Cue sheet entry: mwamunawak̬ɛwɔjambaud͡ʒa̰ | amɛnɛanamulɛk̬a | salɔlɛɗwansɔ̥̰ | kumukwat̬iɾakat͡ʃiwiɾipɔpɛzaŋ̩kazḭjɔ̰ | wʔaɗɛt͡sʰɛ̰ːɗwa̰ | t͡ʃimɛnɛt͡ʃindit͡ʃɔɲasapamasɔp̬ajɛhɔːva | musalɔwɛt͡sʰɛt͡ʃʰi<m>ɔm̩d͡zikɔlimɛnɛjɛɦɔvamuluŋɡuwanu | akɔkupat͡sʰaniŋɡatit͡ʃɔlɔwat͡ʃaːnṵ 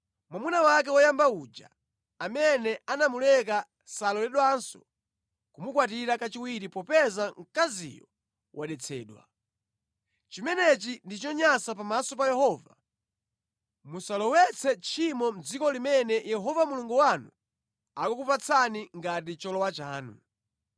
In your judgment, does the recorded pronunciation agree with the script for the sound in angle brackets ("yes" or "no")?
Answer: yes